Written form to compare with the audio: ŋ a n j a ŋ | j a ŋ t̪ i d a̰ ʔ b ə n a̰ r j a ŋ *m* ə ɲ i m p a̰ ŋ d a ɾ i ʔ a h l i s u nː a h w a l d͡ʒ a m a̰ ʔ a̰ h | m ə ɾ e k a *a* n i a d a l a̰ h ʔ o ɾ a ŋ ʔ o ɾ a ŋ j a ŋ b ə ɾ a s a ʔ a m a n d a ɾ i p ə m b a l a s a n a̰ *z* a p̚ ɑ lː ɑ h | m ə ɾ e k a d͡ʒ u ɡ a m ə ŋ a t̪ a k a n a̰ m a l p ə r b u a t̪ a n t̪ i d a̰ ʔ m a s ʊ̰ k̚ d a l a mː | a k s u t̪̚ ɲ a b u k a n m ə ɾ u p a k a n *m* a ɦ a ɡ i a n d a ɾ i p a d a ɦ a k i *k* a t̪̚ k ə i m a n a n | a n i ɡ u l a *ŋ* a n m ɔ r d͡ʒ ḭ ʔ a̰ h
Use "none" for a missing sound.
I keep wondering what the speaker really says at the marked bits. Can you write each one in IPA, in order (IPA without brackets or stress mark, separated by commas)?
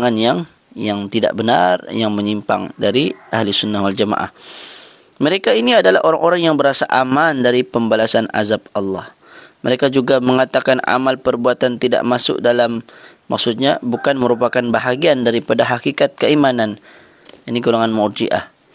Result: m, i, z, b, k, ŋ